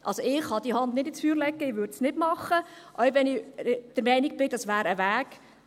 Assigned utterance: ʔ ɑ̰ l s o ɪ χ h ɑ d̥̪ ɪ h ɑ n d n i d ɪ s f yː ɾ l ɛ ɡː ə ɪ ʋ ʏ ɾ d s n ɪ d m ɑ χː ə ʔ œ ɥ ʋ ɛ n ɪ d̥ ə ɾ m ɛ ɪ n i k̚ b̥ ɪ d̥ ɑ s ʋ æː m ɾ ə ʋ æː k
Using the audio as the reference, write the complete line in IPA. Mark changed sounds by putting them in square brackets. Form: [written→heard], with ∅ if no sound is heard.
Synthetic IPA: ʔ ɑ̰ l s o ɪ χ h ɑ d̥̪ [ɪ→i] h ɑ n d n [i→ɪ] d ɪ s f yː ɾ l ɛ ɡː ə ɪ ʋ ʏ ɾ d s n ɪ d m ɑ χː ə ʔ œ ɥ ʋ ɛ n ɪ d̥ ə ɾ m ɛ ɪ n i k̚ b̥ ɪ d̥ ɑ s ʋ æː [m→∅] ɾ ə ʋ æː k